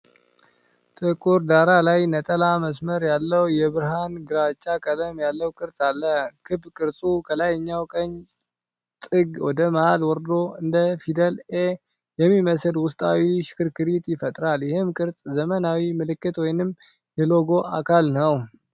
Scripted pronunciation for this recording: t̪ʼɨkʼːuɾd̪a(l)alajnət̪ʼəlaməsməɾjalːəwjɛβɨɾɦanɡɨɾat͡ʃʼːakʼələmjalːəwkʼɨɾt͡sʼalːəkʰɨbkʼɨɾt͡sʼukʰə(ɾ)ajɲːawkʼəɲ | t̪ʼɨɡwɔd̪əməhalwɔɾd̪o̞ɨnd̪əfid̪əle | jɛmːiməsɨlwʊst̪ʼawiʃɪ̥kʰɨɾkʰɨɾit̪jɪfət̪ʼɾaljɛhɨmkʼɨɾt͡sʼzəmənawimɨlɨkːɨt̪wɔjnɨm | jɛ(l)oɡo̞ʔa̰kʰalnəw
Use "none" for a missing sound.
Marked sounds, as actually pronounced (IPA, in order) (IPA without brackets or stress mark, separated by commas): ɾ, l, l